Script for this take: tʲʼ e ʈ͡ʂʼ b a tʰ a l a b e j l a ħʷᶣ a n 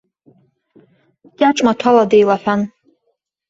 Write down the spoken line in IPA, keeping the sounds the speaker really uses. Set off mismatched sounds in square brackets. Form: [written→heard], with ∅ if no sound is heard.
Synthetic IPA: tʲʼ [e→a] ʈ͡ʂʼ [b→m] a tʰ a l a [b→d] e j l a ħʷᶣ a n